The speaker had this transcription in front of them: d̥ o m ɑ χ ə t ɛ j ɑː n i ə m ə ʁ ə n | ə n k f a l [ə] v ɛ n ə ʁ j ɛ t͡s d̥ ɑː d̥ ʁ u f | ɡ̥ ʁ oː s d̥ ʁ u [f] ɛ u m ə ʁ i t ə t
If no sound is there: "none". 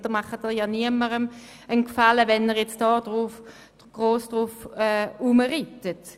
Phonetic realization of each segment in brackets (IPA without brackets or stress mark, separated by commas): ə, f